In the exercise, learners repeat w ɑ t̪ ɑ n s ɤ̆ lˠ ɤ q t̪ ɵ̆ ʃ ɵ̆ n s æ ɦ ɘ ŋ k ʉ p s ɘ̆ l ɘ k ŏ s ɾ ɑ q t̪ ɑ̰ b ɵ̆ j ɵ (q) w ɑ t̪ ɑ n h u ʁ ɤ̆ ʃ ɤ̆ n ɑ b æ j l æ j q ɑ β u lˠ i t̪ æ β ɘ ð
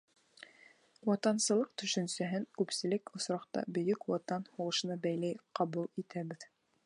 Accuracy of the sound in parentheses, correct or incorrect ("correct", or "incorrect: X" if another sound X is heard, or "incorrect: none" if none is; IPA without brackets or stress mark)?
incorrect: k